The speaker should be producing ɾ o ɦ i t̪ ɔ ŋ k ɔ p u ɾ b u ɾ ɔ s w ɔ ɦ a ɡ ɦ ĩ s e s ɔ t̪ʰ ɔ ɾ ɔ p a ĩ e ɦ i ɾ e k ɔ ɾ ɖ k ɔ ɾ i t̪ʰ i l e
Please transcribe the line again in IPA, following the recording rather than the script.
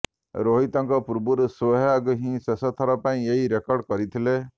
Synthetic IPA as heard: ɾ o ɦ i t̪ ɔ ŋ k ɔ p u ɾ b u ɾ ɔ s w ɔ ɦ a ɡ ɦ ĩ s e s ɔ t̪ʰ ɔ ɾ ɔ p a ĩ e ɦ i ɾ e k ɔ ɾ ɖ k ɔ ɾ i t̪ʰ i l e